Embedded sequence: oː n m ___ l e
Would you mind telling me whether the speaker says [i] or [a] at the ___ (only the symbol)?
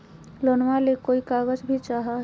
a